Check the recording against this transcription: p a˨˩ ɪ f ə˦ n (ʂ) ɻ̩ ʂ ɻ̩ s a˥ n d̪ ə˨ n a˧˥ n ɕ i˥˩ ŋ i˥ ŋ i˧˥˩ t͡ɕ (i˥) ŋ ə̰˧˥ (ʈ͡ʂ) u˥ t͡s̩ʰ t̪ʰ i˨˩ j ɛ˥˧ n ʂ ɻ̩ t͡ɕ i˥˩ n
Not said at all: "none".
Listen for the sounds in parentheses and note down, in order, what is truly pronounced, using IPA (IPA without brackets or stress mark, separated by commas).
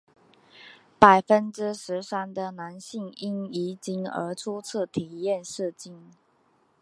ʈ͡ʂ, i˥, ʈ͡ʂʰ